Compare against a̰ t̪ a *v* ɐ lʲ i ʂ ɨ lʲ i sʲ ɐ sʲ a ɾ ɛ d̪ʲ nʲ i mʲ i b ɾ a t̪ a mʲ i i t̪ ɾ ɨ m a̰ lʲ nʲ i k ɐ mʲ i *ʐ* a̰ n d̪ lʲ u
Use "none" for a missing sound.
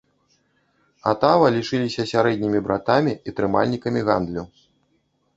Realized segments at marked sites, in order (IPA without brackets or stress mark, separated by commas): v, ɣ